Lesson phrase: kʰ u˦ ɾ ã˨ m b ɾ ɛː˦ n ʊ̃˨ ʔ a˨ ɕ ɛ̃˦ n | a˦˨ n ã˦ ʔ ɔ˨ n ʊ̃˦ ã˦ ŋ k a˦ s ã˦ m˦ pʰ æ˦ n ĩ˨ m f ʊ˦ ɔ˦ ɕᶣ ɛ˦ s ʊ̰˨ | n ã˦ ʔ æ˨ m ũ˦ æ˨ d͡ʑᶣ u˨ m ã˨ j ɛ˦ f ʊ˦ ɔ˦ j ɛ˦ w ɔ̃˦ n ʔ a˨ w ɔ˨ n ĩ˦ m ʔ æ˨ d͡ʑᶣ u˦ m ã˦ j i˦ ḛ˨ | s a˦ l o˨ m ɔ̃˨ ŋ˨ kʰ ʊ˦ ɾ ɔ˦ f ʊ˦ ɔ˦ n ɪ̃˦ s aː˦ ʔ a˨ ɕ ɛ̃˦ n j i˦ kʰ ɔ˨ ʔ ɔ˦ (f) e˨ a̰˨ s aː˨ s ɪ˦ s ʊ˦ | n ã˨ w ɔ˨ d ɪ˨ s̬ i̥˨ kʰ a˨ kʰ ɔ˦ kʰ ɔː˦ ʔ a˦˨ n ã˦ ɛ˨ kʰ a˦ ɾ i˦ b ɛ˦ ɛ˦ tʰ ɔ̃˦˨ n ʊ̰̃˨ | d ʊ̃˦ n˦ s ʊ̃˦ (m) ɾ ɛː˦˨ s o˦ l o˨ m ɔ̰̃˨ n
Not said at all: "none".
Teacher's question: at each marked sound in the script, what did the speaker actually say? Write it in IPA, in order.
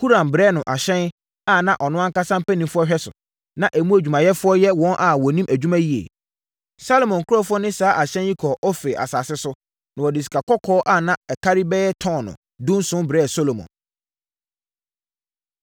f, b

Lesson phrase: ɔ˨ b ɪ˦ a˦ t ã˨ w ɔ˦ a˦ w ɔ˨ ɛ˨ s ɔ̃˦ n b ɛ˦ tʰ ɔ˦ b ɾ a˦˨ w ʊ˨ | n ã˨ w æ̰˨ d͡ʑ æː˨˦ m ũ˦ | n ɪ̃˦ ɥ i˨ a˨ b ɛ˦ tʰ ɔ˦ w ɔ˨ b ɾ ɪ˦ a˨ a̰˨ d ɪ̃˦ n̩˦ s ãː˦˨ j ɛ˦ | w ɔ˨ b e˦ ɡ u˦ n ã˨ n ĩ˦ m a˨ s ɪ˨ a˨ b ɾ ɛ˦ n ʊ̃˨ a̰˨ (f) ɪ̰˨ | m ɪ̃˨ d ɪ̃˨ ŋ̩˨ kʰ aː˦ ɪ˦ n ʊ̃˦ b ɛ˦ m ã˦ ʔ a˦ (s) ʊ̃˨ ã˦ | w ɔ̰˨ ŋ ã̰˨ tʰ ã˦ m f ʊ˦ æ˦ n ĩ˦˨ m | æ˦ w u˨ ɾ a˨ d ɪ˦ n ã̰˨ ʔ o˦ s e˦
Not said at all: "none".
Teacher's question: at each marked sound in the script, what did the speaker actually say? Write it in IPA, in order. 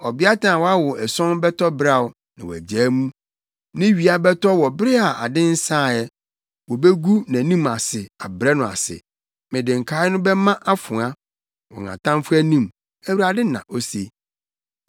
s, f

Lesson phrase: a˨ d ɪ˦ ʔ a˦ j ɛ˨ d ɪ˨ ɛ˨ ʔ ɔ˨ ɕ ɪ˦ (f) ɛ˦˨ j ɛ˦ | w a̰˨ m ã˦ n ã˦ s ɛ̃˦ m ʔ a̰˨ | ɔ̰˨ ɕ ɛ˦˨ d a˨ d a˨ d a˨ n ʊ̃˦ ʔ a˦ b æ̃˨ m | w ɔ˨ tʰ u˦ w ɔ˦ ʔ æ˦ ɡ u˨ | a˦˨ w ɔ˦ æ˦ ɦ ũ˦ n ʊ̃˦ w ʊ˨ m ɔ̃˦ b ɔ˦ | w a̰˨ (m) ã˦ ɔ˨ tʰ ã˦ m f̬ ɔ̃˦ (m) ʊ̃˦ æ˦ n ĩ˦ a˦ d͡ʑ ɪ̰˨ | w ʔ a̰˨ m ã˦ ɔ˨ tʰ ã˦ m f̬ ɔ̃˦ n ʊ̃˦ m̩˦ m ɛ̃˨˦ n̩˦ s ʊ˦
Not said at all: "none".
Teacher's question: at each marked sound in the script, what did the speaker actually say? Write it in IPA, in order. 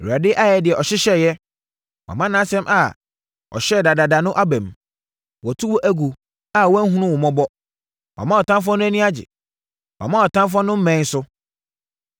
ɕ, m, n

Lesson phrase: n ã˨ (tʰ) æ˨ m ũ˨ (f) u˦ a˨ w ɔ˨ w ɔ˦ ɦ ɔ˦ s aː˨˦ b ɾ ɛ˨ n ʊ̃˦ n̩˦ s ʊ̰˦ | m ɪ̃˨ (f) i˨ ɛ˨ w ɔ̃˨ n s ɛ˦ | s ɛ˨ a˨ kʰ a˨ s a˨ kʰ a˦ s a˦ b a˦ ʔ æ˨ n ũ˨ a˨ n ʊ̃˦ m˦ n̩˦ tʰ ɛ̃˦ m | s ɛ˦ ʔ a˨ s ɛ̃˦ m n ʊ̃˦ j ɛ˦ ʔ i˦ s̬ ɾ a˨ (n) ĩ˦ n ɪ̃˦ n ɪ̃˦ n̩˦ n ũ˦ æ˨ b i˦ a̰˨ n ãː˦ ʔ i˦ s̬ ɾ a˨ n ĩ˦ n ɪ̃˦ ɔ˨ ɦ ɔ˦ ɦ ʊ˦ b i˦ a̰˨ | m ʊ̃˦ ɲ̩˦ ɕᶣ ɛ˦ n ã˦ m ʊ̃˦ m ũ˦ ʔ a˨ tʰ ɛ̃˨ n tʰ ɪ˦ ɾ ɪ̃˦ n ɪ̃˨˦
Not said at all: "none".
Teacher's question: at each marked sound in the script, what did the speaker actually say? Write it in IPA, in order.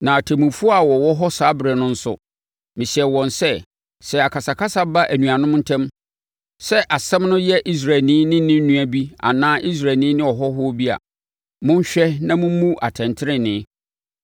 tʰ, f, ɕ, n

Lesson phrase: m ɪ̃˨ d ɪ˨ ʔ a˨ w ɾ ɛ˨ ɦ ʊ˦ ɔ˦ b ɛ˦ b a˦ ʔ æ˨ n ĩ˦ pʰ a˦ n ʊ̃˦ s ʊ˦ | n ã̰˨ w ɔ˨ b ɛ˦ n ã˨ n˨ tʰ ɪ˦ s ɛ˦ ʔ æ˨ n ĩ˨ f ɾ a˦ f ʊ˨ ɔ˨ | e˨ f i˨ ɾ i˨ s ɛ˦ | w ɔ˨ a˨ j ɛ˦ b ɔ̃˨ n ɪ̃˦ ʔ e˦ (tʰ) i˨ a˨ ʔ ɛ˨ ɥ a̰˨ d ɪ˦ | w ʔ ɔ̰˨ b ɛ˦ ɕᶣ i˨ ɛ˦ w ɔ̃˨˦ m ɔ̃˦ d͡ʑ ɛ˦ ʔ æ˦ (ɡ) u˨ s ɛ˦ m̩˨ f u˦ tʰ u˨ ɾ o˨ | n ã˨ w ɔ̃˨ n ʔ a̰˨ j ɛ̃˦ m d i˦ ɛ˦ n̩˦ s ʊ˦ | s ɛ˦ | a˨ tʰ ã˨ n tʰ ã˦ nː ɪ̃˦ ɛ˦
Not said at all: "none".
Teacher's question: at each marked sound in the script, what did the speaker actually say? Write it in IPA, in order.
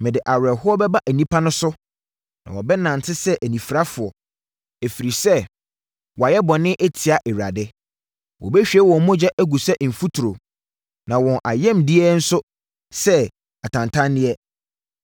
tʰ, ɡ

